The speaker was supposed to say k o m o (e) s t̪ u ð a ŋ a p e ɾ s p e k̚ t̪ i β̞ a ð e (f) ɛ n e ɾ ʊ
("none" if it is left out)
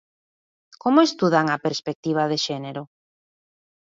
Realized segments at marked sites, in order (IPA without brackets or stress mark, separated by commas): e, ʃ